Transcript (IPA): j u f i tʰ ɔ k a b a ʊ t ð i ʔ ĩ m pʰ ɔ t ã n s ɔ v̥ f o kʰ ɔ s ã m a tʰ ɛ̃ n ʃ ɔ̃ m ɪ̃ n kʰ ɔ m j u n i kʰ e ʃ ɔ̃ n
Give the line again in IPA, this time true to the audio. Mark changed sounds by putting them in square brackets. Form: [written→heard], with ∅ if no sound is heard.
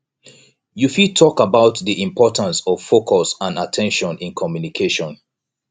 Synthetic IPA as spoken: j u f i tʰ ɔ k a b a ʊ t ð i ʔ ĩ m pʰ ɔ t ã n s ɔ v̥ f o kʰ ɔ s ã [m→n] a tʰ ɛ̃ n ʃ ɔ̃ [m→n] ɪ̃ n kʰ ɔ m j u n i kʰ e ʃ ɔ̃ n